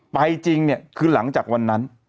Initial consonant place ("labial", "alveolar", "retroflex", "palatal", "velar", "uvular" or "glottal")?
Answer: labial